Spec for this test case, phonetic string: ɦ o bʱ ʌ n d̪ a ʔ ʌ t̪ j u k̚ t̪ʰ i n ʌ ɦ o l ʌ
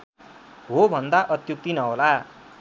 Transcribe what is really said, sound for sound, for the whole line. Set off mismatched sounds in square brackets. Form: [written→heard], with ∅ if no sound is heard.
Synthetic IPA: ɦ o bʱ ʌ n d̪ a ʔ ʌ t̪ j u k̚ [t̪ʰ→t̪] i n ʌ ɦ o l [ʌ→a]